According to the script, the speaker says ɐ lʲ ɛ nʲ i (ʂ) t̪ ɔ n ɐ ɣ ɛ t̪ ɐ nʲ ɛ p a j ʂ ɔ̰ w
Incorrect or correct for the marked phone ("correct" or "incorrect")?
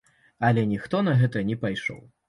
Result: incorrect